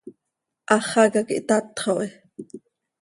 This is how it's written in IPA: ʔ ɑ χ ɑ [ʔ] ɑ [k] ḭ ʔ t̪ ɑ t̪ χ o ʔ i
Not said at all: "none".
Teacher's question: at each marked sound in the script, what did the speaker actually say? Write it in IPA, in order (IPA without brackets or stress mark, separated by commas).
k, k